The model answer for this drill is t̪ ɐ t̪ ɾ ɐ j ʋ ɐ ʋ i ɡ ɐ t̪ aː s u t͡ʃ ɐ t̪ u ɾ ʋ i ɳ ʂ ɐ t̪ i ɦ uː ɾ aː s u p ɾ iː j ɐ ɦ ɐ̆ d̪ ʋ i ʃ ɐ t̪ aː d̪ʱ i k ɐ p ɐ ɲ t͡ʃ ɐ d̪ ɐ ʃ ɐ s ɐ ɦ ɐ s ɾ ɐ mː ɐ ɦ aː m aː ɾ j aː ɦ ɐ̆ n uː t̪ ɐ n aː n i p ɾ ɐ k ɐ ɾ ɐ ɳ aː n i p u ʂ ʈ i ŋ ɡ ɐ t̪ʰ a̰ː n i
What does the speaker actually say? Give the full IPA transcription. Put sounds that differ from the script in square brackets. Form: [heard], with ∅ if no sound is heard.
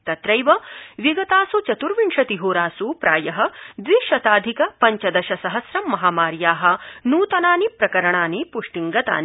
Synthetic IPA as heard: t̪ ɐ t̪ ɾ ɐ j ʋ ɐ ʋ i ɡ ɐ t̪ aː s u t͡ʃ ɐ t̪ u ɾ ʋ i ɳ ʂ ɐ t̪ i ɦ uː ɾ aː s u p ɾ [aː] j ɐ ɦ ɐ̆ d̪ ʋ i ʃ ɐ t̪ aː d̪ʱ i k ɐ p ɐ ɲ t͡ʃ ɐ d̪ ɐ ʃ ɐ s ɐ ɦ ɐ s ɾ ɐ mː ɐ ɦ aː m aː ɾ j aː ɦ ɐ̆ n uː t̪ ɐ n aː n i p ɾ ɐ k ɐ ɾ ɐ ɳ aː n i p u ʂ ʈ i ŋ ɡ ɐ [t̪] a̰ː n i